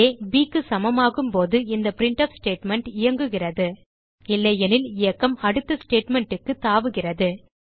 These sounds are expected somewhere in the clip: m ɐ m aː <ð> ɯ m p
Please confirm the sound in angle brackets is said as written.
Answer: no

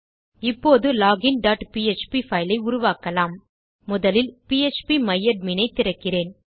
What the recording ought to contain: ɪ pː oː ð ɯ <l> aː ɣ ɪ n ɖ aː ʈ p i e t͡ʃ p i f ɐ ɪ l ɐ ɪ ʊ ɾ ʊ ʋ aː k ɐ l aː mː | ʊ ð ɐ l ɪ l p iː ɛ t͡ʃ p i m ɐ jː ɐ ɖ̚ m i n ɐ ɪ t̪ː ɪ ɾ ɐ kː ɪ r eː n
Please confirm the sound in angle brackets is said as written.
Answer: yes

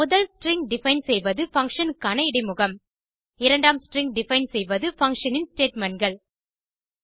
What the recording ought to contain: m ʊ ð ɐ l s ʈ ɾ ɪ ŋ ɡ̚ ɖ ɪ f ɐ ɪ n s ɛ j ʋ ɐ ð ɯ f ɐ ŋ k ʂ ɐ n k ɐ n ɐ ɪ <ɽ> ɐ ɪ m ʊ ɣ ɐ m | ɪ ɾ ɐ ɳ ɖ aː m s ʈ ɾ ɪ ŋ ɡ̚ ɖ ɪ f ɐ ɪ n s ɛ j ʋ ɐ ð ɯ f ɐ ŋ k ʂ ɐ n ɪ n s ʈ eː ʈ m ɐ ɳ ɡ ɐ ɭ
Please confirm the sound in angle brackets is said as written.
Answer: yes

